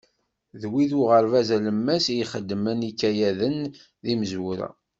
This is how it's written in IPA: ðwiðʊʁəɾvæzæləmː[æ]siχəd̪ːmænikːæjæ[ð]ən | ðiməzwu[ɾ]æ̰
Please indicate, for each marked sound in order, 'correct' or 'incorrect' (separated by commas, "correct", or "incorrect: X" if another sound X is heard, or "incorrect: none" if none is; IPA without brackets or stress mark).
correct, correct, correct